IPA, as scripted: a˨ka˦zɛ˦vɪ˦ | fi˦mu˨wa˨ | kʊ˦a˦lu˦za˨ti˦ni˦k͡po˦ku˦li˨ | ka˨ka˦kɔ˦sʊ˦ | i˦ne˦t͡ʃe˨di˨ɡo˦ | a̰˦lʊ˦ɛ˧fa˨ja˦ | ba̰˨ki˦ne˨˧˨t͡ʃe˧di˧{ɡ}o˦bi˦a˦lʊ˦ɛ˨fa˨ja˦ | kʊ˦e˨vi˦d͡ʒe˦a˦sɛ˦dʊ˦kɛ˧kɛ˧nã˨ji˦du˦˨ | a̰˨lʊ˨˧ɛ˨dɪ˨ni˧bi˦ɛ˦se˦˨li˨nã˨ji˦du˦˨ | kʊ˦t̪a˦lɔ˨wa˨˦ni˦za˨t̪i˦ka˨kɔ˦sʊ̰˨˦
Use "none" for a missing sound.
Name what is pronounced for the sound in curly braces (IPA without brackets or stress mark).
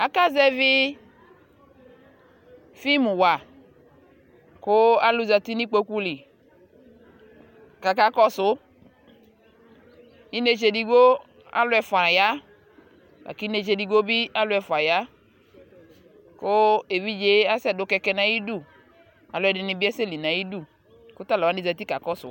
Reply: ɡ